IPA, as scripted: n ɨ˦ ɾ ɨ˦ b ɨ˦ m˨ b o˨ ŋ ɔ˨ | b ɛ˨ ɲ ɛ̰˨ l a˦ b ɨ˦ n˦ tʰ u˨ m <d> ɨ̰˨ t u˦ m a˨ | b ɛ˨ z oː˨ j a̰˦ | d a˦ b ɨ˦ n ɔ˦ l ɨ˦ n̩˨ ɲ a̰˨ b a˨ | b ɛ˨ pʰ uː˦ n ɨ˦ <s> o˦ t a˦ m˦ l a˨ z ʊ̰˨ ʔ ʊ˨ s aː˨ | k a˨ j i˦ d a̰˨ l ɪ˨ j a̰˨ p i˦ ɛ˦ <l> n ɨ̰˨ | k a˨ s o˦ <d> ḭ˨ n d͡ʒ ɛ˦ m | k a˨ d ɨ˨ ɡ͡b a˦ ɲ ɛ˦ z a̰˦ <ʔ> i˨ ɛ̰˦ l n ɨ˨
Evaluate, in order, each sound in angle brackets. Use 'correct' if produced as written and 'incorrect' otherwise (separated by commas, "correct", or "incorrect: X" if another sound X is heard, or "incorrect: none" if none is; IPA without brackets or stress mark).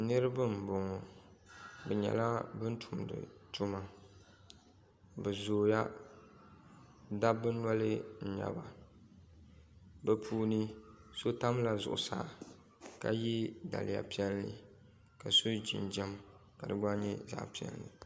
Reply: correct, correct, correct, incorrect: d͡ʒ, incorrect: p